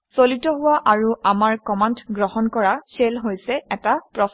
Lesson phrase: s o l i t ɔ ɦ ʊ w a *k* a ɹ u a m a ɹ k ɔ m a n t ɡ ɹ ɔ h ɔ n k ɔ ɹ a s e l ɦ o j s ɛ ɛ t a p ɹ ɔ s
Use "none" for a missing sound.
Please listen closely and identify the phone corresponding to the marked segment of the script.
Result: ʔ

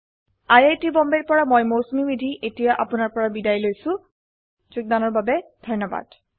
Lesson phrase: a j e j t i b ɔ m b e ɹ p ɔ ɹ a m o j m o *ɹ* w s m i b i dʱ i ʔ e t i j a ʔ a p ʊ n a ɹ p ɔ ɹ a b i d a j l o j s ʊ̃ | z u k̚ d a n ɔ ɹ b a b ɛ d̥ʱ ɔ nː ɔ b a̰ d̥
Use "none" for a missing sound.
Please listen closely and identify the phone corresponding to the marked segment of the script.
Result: none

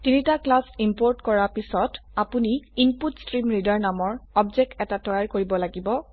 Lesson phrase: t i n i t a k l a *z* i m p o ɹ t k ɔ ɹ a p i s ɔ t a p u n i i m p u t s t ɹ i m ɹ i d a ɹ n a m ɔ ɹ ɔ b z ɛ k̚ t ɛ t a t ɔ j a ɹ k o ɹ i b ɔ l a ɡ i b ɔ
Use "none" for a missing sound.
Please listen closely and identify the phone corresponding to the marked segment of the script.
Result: s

